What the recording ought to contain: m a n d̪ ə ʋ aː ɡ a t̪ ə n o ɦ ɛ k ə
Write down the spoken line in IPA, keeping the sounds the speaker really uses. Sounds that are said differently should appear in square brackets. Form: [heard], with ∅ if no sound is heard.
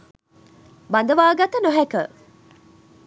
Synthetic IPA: [b] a n d̪ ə ʋ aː ɡ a t̪ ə n o ɦ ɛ k ə